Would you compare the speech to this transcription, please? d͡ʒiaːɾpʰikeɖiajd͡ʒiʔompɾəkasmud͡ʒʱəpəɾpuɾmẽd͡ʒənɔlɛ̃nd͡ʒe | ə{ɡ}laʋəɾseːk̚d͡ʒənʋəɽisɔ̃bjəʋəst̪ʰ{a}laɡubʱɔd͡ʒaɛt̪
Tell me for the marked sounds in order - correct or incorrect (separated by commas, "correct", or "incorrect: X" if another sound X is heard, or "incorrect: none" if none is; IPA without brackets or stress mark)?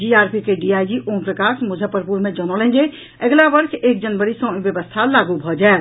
correct, correct